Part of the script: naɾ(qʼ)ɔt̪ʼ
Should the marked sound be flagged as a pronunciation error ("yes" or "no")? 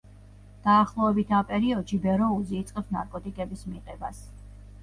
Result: yes